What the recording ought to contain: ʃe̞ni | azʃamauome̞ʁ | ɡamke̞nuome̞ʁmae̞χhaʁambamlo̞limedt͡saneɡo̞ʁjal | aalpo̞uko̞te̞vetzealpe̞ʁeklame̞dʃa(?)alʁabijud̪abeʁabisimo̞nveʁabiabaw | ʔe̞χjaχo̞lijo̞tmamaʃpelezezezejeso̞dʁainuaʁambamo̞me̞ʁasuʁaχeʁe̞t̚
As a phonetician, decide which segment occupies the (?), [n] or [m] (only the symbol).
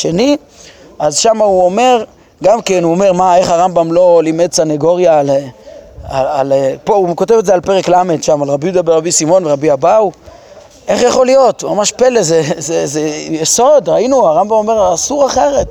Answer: m